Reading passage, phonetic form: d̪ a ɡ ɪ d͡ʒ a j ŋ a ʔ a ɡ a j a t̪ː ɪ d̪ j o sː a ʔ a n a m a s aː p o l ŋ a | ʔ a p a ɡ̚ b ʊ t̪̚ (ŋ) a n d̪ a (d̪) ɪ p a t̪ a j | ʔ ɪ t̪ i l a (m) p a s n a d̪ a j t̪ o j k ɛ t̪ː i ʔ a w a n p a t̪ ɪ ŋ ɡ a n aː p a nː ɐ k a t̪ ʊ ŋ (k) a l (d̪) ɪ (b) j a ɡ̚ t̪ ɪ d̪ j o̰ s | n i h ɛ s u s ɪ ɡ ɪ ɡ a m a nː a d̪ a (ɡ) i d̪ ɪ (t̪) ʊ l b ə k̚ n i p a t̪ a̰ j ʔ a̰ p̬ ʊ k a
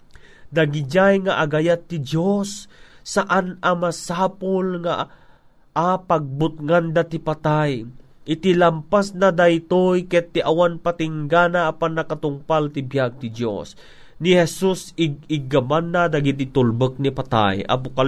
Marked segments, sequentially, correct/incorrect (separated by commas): correct, incorrect, correct, incorrect, incorrect, correct, correct, correct